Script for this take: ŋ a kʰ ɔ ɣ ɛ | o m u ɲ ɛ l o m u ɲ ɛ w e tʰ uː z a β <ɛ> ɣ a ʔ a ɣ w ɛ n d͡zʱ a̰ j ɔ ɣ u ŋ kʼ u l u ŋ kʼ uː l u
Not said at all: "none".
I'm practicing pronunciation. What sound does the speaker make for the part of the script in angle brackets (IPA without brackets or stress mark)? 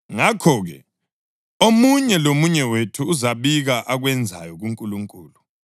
i